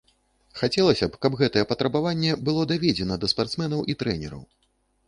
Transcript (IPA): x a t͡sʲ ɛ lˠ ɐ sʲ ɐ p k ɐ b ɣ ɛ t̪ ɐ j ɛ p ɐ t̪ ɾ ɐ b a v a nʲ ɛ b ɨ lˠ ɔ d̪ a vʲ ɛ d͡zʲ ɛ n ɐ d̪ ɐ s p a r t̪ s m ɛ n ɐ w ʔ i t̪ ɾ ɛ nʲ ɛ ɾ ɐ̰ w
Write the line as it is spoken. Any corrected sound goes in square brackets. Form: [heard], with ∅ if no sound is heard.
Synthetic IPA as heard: x a t͡sʲ ɛ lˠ ɐ sʲ ɐ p k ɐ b ɣ ɛ t̪ ɐ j ɛ p ɐ t̪ ɾ ɐ b a v a [nʲː] ɛ b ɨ lˠ ɔ d̪ a vʲ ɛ d͡zʲ ɛ n ɐ d̪ ɐ s p a r t̪ s m ɛ n ɐ w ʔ i t̪ ɾ ɛ nʲ ɛ ɾ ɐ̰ w